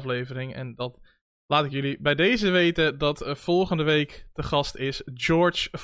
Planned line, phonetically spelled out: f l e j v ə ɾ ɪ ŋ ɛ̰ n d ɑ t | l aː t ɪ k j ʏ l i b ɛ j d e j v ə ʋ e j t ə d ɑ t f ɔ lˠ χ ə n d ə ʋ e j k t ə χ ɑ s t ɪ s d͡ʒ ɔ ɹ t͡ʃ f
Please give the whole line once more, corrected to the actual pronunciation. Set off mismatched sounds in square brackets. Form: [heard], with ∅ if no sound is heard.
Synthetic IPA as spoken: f l e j v ə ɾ ɪ ŋ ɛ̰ n d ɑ t | l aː t ɪ k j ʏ l i b ɛ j d e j [z] ə ʋ e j t ə d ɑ t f ɔ lˠ χ ə n d ə ʋ e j k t ə χ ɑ s t ɪ s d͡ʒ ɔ ɹ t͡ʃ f